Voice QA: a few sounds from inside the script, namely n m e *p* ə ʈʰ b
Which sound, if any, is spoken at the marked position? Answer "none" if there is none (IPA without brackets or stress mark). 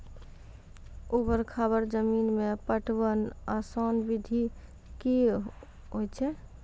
p